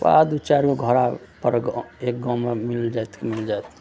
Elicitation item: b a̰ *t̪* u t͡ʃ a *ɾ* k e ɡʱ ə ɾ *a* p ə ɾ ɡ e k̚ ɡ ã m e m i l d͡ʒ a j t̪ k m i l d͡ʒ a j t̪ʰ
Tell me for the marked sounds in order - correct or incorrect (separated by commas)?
incorrect, correct, correct